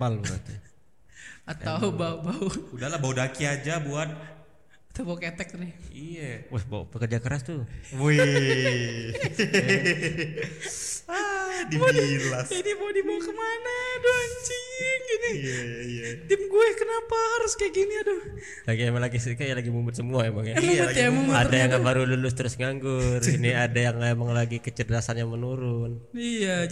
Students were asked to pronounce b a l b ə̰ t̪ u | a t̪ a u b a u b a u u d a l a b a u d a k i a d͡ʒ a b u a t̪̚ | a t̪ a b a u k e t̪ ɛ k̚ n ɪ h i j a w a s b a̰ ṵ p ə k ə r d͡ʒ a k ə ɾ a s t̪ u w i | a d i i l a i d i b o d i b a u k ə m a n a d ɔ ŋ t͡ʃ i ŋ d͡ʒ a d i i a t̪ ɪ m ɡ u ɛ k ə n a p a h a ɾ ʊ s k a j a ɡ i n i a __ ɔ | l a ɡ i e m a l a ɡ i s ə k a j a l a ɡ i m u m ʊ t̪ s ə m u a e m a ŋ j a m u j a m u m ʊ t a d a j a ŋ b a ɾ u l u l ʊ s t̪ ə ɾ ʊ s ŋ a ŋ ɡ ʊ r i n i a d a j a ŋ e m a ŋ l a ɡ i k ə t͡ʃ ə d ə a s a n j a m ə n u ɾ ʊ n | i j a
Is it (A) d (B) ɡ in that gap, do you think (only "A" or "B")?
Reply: A